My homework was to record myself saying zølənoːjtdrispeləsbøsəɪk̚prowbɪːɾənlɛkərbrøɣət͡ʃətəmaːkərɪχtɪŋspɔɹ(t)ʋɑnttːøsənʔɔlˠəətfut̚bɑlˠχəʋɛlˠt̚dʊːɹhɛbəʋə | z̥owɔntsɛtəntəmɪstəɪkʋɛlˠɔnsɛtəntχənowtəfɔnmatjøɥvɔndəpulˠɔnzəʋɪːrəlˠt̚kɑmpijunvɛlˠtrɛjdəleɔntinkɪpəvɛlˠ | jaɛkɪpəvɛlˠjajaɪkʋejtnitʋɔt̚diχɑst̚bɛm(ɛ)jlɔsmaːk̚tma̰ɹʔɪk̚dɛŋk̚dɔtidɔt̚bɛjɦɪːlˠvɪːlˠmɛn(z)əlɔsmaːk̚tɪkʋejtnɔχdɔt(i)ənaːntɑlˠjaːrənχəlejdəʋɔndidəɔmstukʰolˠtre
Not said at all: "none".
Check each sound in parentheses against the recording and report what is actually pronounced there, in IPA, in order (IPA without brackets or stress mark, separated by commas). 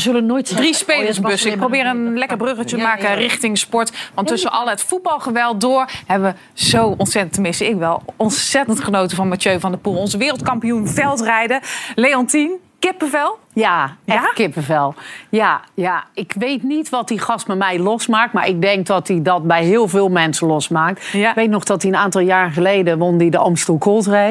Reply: t, ɛ, s, i